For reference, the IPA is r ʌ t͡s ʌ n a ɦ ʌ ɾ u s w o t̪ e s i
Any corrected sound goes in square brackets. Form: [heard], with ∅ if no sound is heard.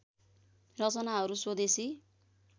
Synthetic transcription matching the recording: r ʌ t͡s ʌ n a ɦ ʌ ɾ u s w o [d̪] e s i